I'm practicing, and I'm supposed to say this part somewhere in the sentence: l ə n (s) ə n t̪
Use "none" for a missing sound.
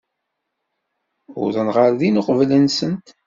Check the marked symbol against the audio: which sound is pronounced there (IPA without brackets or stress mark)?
s